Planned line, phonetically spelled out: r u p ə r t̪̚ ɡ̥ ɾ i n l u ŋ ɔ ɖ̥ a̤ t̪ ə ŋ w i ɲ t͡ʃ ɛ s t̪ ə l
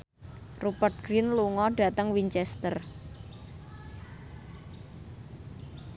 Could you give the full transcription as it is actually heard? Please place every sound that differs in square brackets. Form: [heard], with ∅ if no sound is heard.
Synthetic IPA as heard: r u p ə r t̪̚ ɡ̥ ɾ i n l u ŋ ɔ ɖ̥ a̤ t̪ ə ŋ w i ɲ t͡ʃ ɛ s t̪ ə [r]